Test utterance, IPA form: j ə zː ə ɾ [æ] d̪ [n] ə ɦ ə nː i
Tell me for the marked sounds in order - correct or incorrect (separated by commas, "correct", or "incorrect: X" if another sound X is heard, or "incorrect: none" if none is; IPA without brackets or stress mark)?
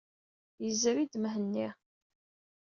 incorrect: i, incorrect: m